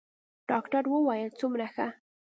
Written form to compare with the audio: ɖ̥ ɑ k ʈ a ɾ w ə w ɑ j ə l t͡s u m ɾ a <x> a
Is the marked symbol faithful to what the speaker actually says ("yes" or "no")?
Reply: yes